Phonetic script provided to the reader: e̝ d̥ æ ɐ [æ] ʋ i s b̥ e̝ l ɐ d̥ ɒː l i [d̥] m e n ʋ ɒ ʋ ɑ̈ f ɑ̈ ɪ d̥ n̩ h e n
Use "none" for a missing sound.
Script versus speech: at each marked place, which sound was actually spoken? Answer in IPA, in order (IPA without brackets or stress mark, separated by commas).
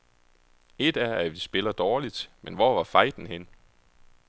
æ, d̥